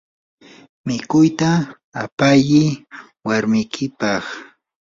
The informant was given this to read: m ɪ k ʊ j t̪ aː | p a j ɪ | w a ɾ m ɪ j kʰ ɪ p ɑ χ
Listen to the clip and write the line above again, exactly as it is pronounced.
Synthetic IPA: m ɪ k ʊ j t̪ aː | p a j ɪ | w a ɾ m ɪ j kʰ ɪ p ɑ χ